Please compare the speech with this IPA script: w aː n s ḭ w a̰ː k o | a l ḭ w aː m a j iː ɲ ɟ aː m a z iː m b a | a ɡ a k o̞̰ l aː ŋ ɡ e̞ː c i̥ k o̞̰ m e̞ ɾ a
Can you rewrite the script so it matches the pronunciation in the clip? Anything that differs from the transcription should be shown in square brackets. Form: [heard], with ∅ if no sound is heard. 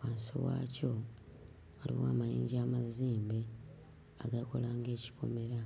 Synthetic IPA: w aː n s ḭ w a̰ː [c] o | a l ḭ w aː m a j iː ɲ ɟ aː m a z iː m b [e] | a ɡ a k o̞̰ l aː ŋ ɡ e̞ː c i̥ k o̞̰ m e̞ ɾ a